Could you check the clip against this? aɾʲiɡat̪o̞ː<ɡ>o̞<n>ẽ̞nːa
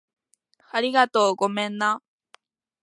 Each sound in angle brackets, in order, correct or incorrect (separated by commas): correct, incorrect